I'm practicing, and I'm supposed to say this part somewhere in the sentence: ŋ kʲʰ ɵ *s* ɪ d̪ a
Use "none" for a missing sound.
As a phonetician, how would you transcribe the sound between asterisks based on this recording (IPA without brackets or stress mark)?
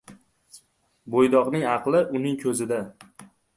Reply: z